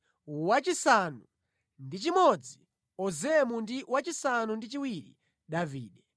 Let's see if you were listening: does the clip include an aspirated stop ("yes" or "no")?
no